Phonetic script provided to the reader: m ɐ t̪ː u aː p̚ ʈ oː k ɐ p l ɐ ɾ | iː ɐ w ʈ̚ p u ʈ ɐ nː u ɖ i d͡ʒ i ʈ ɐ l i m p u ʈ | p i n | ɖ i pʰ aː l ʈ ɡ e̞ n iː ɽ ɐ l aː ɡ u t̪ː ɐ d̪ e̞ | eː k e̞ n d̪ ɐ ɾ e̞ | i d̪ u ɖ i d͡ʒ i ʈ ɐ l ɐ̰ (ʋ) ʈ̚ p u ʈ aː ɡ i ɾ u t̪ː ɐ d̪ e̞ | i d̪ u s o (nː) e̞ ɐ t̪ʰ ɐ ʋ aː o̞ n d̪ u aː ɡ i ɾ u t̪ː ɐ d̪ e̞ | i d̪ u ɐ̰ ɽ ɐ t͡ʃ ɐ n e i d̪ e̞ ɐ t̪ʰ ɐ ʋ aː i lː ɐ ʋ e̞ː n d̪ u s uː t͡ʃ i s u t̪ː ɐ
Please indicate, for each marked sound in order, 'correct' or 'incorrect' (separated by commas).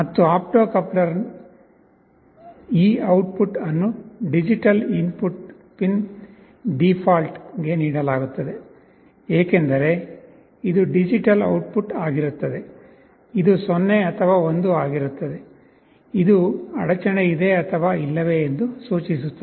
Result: incorrect, correct